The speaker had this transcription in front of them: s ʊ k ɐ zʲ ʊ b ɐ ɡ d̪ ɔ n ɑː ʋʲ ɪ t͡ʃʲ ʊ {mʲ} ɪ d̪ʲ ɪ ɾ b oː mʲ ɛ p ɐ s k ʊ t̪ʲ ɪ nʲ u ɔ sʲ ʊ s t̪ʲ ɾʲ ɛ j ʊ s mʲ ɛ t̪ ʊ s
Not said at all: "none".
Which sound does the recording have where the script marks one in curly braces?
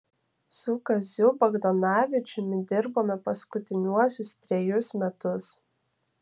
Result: mʲ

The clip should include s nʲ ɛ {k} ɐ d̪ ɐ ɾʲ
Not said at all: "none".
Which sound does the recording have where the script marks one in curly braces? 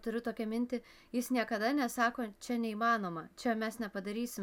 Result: p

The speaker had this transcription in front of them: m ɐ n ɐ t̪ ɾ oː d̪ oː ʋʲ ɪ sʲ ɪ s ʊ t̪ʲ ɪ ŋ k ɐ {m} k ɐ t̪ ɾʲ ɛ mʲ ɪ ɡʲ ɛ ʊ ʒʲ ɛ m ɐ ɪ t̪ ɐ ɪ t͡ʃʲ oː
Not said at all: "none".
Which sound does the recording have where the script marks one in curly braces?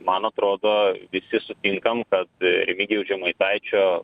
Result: m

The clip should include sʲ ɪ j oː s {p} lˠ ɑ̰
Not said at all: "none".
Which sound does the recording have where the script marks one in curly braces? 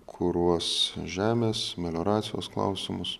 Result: k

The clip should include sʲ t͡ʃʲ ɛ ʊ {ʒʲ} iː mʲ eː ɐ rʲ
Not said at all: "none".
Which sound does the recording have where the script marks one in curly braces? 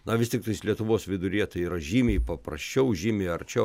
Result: ʒʲ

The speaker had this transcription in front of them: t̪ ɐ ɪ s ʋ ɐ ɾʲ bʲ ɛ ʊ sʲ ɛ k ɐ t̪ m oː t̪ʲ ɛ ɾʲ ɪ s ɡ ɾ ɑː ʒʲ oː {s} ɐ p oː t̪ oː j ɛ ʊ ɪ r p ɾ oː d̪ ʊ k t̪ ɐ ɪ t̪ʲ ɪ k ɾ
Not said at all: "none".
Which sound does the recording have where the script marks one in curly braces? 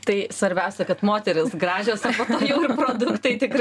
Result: s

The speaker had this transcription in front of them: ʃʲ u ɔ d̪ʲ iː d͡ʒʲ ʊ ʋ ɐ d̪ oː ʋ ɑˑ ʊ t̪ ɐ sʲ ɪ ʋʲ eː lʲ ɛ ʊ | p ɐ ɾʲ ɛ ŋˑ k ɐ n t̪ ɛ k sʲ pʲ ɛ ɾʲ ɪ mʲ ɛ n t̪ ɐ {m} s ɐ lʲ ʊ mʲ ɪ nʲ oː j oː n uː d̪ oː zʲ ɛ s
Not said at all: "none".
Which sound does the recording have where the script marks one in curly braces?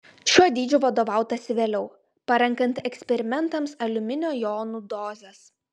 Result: m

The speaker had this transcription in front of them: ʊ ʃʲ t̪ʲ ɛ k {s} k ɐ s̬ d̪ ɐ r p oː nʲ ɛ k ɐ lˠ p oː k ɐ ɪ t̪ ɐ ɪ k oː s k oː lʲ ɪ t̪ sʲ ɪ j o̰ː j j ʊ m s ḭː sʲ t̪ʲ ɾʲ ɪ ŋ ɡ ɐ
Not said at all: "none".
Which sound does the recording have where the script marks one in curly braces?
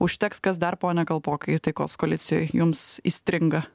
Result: s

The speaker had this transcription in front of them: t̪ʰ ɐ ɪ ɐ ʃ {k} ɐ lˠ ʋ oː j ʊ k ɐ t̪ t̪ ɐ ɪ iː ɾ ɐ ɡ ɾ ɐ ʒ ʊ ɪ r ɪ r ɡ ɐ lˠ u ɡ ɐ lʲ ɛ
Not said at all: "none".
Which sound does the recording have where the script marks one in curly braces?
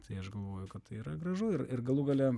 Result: ɡ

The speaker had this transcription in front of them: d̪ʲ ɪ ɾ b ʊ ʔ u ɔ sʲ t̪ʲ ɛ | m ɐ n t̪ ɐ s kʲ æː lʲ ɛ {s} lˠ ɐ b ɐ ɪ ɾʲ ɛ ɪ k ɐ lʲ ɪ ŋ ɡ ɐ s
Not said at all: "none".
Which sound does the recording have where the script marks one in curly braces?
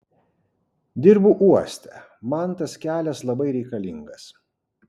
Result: s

